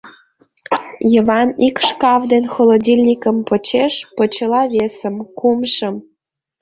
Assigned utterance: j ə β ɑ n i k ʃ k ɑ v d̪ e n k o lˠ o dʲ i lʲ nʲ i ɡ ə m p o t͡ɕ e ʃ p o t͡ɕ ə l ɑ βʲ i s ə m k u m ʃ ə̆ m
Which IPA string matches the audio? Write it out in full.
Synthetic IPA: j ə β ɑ n i k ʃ k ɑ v d̪ e n x o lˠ o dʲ i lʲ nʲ i k ə m p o t͡ɕ e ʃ p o t͡ɕ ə l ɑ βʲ e s ə m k u m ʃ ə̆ m